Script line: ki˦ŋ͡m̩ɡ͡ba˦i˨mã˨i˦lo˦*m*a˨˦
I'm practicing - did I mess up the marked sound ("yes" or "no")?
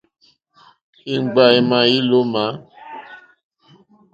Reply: no